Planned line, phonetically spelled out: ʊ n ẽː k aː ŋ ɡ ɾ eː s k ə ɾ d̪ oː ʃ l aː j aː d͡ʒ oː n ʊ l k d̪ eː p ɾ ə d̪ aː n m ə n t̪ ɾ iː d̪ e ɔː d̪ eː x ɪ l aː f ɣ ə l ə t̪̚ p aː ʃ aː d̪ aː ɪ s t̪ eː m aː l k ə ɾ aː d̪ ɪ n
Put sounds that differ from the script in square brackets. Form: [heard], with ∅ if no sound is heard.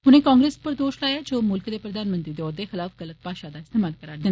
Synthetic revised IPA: ʊ n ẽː k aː ŋ ɡ ɾ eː s [p] ə ɾ d̪ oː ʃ l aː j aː d͡ʒ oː [m] ʊ l k d̪ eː p ɾ ə d̪ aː n m ə n t̪ ɾ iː d̪ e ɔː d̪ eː x ɪ l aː f ɣ ə l ə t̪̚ p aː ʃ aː d̪ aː ɪ s t̪ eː m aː l k ə ɾ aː d̪ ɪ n